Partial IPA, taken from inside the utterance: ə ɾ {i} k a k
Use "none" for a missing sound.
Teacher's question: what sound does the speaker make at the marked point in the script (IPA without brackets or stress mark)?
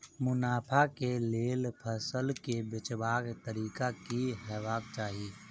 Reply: iː